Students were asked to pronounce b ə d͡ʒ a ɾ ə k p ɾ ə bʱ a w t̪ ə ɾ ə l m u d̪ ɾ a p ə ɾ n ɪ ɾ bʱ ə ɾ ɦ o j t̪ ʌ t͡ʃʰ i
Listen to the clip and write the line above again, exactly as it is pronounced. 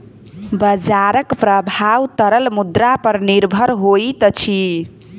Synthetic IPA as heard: b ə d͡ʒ a ɾ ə k p ɾ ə bʱ a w t̪ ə ɾ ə l m u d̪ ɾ a p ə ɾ n i ɾ bʱ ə ɾ ɦ o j t̪ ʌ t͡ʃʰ i